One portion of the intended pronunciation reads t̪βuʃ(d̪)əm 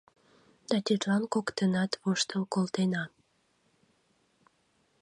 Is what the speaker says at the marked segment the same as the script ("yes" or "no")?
no